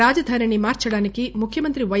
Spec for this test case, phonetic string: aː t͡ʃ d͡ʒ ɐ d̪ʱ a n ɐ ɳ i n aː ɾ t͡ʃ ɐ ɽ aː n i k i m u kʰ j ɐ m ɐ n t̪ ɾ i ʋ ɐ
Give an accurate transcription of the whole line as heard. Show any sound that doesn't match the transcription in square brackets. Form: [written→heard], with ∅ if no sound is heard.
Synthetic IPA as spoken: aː [t͡ʃ→∅] d͡ʒ ɐ d̪ʱ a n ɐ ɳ i [n→m] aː ɾ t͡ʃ ɐ ɽ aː n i k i m u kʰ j ɐ m ɐ n t̪ ɾ i ʋ ɐ